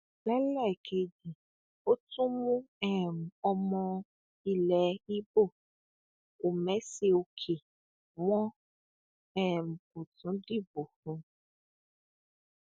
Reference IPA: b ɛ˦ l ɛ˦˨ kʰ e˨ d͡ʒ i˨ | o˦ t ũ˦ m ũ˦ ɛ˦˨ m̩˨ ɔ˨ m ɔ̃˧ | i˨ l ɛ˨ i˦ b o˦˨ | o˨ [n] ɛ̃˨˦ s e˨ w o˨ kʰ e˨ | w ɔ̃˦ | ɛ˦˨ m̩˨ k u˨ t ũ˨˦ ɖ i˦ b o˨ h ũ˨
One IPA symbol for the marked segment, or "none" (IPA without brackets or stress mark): m